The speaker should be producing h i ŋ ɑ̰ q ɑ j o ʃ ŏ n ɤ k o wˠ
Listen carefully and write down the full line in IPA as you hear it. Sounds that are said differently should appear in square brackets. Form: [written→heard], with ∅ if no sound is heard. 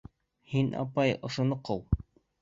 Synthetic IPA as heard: h i [ŋ→n] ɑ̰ [q→p] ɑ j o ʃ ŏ n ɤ [k→q] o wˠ

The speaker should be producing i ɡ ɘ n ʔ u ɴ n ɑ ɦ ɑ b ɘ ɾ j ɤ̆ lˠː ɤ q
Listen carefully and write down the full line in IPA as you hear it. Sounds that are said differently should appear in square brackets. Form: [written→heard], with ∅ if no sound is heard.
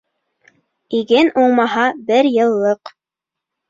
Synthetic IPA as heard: i ɡ ɘ n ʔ u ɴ [n→m] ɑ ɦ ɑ b ɘ ɾ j ɤ̆ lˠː ɤ q

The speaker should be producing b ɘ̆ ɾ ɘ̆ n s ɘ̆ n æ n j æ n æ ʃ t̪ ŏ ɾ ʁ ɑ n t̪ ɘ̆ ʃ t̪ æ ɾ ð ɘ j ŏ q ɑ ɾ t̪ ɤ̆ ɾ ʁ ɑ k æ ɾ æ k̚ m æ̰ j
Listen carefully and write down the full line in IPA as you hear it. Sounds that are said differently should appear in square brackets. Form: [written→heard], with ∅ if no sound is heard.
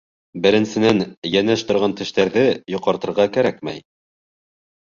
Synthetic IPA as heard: b ɘ̆ ɾ ɘ̆ n s ɘ̆ n æ n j æ n æ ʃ t̪ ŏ ɾ ʁ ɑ n t̪ ɘ̆ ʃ t̪ æ ɾ ð ɘ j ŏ q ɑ ɾ t̪ ɤ̆ ɾ ʁ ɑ k æ ɾ æ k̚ m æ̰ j

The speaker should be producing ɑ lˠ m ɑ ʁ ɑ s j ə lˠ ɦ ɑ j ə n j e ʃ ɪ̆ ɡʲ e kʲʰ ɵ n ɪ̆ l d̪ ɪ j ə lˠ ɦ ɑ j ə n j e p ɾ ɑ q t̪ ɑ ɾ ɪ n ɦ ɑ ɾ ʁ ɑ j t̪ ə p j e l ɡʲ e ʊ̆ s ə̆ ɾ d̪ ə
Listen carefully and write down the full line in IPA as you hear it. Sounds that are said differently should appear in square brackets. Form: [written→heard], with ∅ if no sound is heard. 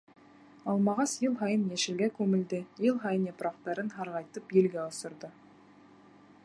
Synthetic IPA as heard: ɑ lˠ m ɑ ʁ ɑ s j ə lˠ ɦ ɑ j ə n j e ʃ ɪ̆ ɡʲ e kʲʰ ɵ [n→m] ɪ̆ l d̪ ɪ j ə lˠ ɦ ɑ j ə n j e p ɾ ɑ q t̪ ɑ ɾ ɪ n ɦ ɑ ɾ ʁ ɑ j t̪ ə p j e l ɡʲ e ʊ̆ s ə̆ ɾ d̪ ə

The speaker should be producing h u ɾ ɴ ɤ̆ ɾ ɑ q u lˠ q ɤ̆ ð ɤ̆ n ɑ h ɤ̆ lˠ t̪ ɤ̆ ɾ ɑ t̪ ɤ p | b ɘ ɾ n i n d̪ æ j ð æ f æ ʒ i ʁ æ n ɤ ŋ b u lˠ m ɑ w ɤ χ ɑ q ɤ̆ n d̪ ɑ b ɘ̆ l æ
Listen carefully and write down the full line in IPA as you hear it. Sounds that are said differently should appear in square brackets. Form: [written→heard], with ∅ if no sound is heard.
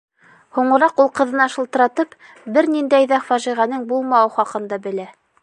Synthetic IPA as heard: h u [ɾ→∅] ɴ ɤ̆ ɾ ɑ q u lˠ q ɤ̆ ð ɤ̆ n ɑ [h→ʃ] ɤ̆ lˠ t̪ ɤ̆ ɾ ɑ t̪ ɤ p | b ɘ ɾ n i n d̪ æ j ð æ f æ ʒ i ʁ æ n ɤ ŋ b u lˠ m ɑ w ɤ χ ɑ q ɤ̆ n d̪ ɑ b ɘ̆ l æ

